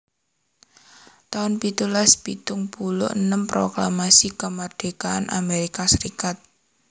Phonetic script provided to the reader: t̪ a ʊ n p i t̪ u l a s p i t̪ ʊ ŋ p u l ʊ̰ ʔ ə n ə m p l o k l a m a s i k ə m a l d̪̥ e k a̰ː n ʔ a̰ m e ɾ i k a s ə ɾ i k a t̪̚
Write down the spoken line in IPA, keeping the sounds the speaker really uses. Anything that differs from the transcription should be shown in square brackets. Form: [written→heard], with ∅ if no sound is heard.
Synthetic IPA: t̪ a ʊ n p i t̪ u l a s p i t̪ ʊ ŋ p u l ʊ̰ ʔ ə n ə m p [l→ɾ] o k l a m a s i k ə m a [l→r] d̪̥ e k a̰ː n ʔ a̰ m e ɾ i k a s ə ɾ i k a t̪̚